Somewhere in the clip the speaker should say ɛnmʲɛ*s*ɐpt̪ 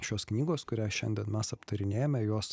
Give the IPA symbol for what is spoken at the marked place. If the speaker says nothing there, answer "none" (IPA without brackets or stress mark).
s